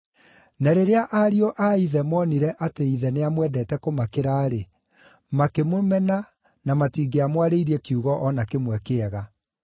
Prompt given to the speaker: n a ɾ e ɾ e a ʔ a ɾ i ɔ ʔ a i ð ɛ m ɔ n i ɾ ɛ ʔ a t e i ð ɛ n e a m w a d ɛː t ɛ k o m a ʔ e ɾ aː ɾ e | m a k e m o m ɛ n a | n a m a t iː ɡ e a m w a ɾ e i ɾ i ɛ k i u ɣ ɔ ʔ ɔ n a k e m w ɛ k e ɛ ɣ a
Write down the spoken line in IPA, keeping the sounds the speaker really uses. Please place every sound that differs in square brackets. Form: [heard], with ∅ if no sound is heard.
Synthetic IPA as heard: n a ɾ e ɾ e a ʔ a ɾ i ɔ ʔ a i ð ɛ m ɔ n i ɾ ɛ ʔ a t e i ð ɛ n e a m w [ɛ] d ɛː t ɛ k o m a [k] e ɾ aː ɾ e | m a k e m o m ɛ n a | n a m a t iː ɡ e a m w a ɾ e i ɾ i ɛ k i u ɣ ɔ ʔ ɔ n a k e m w ɛ k e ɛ ɣ a